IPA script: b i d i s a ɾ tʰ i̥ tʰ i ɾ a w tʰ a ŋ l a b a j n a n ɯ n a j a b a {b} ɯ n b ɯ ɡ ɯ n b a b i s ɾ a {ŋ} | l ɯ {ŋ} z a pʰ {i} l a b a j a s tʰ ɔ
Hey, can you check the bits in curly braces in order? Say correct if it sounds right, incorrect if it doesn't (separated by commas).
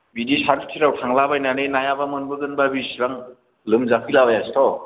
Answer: incorrect, correct, incorrect, correct